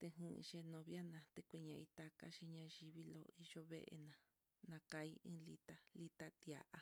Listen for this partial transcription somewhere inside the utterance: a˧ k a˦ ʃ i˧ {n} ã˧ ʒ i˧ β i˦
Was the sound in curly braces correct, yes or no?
no